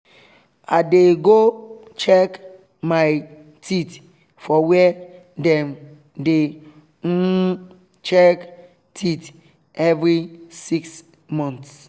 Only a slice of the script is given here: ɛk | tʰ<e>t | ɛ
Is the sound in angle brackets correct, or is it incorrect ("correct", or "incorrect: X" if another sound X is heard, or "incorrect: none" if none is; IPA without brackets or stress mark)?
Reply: incorrect: i